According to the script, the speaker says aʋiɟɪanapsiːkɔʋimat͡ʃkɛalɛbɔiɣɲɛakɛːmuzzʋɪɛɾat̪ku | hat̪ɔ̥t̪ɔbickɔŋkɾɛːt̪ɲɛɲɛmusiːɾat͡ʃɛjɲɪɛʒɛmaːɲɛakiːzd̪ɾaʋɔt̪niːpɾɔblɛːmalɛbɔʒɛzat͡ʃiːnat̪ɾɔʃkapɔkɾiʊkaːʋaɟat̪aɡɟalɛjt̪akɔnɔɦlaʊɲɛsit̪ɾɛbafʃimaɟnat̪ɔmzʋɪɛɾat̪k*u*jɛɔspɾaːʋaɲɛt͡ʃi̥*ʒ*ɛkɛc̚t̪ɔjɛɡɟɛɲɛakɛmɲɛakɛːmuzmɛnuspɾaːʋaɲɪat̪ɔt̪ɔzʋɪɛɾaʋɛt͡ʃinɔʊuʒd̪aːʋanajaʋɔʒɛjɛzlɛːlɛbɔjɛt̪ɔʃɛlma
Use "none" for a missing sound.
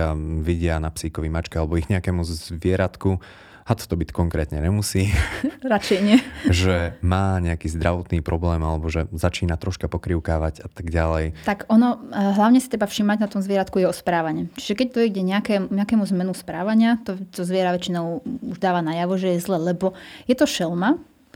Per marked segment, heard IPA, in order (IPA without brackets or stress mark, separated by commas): u, ʒ